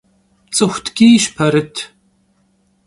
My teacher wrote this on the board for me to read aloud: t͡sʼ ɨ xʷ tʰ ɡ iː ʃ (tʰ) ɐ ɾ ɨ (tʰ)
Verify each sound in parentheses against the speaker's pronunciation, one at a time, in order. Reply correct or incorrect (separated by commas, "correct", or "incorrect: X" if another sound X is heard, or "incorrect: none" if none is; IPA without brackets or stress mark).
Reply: incorrect: pʰ, correct